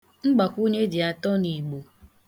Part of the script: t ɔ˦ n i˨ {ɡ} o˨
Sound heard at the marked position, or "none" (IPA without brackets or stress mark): ɡ͡b